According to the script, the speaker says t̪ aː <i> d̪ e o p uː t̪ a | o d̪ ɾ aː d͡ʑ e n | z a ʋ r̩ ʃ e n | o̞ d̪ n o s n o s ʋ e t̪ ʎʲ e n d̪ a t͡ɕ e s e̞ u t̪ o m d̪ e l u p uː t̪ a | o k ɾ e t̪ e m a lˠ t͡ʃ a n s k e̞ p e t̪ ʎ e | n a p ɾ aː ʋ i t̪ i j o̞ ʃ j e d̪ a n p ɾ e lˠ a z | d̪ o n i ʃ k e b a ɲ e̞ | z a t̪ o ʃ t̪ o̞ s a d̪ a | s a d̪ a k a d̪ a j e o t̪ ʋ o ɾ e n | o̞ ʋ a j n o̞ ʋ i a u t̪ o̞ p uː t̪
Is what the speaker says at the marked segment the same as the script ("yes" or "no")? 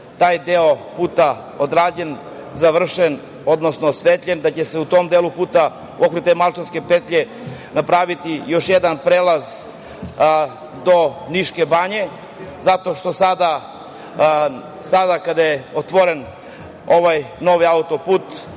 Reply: no